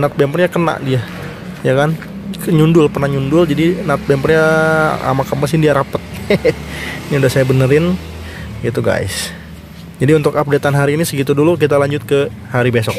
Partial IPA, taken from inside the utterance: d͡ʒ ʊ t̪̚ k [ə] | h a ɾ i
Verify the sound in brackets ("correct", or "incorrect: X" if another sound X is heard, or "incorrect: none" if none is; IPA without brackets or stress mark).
correct